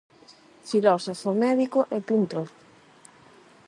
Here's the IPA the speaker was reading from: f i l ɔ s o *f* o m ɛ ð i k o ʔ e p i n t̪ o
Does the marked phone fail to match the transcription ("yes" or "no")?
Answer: no